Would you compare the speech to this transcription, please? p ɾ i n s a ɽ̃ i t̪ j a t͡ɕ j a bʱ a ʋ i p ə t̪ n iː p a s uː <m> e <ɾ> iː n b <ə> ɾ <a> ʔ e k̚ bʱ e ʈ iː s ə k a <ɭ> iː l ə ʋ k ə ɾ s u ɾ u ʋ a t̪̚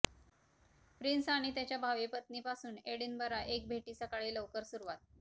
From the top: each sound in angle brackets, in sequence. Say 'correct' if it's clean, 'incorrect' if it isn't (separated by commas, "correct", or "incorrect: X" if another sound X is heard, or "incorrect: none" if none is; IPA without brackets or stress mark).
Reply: incorrect: n, incorrect: ɽ, correct, correct, correct